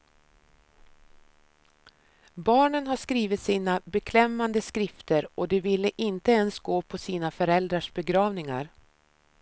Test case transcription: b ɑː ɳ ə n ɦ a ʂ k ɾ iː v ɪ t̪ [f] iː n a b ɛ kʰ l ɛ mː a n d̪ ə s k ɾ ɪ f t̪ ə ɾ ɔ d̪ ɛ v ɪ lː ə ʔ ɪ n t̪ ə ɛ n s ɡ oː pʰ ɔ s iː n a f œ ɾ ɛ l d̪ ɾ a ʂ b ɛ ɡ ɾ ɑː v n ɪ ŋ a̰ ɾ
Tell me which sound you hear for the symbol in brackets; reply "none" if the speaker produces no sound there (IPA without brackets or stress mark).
s